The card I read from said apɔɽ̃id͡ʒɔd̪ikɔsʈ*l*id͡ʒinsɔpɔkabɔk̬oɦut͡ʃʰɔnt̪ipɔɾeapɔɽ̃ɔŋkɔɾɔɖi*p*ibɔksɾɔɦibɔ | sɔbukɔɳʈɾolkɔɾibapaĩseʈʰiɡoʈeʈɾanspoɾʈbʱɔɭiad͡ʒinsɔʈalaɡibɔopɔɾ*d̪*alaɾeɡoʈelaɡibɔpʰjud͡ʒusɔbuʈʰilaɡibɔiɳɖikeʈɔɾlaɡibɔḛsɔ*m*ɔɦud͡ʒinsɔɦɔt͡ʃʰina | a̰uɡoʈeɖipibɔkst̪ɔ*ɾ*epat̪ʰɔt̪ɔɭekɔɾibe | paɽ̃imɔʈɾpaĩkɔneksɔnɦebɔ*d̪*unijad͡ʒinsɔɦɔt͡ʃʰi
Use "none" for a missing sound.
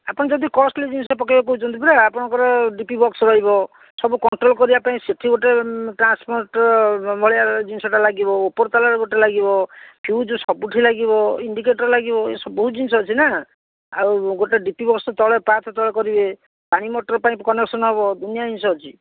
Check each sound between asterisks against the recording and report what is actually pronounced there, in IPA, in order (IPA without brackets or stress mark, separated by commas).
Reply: l, p, t̪, b, ɭ, d̪